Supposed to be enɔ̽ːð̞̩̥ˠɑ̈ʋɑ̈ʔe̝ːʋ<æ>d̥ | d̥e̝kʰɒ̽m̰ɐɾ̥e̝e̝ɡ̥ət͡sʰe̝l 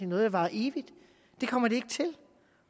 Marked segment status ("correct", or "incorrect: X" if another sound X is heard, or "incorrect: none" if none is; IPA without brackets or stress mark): incorrect: i